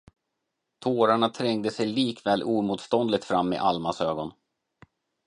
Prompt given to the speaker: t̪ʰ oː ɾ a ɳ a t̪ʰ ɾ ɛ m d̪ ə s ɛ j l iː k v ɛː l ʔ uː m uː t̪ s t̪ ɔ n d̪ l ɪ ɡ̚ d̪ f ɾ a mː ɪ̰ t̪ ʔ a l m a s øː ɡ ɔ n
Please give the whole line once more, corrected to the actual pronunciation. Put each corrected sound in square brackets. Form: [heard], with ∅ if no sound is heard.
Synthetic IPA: t̪ʰ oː ɾ a ɳ a t̪ʰ ɾ ɛ [ŋ] d̪ ə s ɛ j l iː k v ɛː l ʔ uː m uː t̪ s t̪ ɔ n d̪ l ɪ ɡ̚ [t̪] f ɾ a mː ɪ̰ [∅] ʔ a l m a s øː ɡ ɔ n